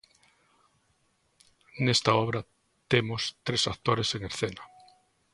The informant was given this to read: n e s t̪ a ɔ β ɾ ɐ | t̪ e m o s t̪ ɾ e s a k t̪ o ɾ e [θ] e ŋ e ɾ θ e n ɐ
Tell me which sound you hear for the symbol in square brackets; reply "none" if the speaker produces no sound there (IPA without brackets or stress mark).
s